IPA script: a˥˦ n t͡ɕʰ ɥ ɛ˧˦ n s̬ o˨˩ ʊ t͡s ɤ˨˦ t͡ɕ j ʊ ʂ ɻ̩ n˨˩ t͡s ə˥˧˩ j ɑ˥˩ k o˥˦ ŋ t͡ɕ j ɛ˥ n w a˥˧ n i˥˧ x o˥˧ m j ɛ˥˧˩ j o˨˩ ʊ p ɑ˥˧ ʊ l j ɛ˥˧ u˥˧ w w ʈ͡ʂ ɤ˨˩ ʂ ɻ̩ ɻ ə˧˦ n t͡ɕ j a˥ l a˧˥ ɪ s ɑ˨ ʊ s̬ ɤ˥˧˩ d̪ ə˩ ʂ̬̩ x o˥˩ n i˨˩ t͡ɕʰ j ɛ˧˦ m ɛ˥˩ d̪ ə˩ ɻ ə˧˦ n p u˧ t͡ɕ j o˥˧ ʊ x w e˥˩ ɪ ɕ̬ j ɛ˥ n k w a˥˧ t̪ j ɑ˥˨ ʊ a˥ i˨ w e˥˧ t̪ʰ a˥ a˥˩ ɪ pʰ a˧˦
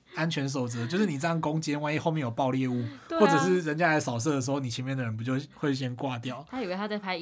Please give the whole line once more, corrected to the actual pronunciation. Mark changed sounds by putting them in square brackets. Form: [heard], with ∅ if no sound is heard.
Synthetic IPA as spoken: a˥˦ n t͡ɕʰ ɥ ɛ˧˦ n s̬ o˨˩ ʊ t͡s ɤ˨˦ t͡ɕ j ʊ ʂ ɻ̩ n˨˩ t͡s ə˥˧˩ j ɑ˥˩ k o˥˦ ŋ t͡ɕ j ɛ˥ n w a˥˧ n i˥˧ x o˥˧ m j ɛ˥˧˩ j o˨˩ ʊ p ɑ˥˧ ʊ l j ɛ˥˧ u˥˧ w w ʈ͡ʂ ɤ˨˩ ʂ ɻ̩ ɻ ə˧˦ n t͡ɕ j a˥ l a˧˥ ɪ s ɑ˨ ʊ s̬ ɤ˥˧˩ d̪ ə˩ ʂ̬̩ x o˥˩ n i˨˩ t͡ɕʰ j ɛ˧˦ m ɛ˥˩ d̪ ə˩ ɻ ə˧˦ n p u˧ t͡ɕ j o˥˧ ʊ x w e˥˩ ɪ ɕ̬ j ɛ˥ n k w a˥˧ t̪ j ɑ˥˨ ʊ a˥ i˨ w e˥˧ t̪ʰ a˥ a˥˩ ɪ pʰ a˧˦